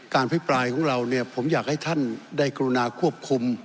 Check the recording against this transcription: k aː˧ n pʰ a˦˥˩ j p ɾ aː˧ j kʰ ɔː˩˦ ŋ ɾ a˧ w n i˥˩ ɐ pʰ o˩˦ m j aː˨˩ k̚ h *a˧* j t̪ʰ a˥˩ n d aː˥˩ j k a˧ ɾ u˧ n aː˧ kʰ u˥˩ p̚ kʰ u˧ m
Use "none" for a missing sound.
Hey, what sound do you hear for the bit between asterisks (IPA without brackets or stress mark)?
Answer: a˥˩